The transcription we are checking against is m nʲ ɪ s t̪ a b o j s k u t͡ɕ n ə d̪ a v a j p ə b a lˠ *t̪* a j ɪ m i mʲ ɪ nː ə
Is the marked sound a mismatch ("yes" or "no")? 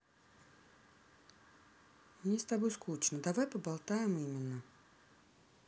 no